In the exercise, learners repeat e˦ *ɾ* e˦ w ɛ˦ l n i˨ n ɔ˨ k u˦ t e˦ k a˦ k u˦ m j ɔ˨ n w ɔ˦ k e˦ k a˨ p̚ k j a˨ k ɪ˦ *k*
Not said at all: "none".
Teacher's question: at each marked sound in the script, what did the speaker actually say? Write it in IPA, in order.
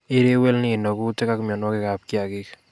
ɾ, k

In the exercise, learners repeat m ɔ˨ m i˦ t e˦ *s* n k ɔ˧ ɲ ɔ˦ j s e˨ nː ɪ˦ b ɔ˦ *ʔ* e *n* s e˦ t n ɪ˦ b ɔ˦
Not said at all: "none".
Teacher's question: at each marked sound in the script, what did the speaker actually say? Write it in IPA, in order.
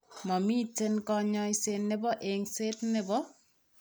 none, ʔ, ŋ

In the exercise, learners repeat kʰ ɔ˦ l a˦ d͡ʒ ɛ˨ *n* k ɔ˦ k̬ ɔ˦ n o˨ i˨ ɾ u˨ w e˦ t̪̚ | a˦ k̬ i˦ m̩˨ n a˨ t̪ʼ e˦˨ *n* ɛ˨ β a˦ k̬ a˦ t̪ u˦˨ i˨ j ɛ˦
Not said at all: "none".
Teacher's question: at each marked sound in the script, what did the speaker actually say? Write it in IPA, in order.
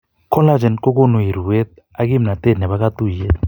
n, n

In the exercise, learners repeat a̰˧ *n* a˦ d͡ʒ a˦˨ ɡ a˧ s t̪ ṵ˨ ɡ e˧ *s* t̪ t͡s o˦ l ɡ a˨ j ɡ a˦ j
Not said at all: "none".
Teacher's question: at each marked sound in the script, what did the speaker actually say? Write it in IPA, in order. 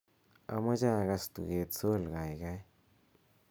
m, none

